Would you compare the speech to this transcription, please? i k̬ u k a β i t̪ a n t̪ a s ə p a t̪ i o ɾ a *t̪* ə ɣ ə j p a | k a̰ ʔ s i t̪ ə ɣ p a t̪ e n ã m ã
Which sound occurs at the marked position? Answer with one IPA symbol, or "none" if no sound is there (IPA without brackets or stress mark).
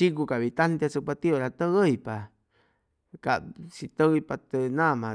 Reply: t̪